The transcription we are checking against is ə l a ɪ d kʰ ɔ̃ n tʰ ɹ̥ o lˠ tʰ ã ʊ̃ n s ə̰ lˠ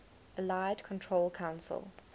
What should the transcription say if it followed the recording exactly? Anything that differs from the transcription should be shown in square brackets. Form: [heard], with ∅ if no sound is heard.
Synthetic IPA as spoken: ə l a ɪ d kʰ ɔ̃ n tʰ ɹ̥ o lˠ [kʰ] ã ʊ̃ n s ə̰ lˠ